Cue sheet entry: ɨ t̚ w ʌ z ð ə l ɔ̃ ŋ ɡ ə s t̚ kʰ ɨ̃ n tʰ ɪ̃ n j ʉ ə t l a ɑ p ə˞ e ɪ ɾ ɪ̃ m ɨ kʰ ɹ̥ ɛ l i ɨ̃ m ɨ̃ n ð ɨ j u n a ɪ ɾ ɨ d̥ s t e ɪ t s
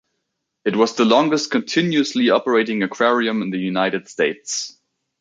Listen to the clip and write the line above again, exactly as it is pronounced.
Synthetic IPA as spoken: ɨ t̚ w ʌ z ð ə l ɔ̃ ŋ ɡ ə s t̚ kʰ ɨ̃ n tʰ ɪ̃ n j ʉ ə s l i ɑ p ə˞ e ɪ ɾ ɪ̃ ŋ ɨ kʰ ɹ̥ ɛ ɹ i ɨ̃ m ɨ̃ n ð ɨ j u n a ɪ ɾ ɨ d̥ s t e ɪ t s